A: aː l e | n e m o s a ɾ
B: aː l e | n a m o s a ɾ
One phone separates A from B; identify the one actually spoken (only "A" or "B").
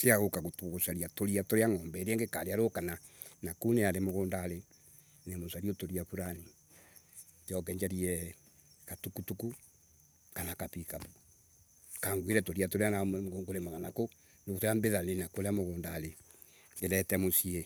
A